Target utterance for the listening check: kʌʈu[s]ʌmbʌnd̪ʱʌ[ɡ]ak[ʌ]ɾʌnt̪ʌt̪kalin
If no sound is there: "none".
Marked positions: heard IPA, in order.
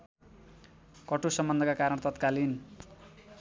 s, k, a

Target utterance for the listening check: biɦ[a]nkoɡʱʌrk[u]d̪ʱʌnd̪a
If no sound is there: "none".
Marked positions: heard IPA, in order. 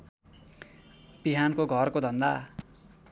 a, o

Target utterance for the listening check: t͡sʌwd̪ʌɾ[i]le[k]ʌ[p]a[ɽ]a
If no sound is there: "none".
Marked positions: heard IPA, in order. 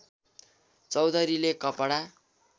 i, k, p, ɽ

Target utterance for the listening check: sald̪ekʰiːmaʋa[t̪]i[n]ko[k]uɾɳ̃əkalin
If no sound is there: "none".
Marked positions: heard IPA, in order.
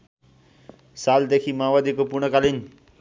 d̪, none, p

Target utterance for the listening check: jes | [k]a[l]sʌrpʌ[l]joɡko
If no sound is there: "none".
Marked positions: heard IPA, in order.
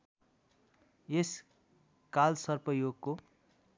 k, l, none

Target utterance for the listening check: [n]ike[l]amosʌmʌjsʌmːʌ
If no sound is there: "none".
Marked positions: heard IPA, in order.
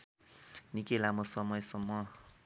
n, l

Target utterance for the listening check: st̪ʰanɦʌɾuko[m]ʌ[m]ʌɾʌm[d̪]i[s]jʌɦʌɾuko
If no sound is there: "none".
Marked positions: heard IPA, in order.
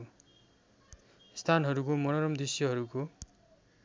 m, n, d̪, s

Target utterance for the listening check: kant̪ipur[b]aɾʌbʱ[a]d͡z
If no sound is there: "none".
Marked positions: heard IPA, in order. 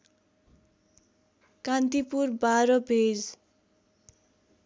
b, e

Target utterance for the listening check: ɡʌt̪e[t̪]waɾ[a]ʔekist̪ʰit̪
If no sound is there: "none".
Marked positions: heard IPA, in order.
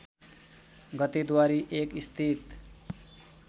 d̪, i

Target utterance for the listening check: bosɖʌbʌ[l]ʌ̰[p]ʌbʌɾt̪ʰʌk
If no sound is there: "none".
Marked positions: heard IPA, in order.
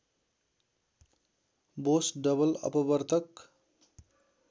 l, p

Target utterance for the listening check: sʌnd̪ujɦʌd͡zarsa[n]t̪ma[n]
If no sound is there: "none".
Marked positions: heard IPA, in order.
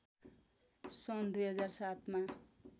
none, none

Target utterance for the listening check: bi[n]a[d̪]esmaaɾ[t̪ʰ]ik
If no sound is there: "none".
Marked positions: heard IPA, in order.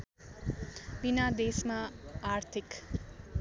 n, d̪, t̪ʰ

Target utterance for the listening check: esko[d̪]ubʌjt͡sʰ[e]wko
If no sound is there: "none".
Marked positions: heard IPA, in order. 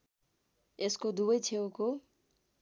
d̪, e

